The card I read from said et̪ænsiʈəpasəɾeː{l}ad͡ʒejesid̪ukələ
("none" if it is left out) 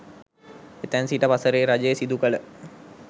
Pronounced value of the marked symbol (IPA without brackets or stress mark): ɾ